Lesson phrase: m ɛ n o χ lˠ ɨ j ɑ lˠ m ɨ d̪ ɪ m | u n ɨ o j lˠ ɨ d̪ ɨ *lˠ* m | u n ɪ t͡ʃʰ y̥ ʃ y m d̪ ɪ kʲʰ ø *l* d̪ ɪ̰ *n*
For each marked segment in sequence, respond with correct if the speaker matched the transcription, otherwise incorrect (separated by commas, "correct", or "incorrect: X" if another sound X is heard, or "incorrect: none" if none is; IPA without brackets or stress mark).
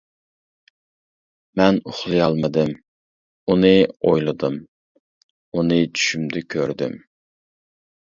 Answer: incorrect: none, incorrect: ɾ, incorrect: m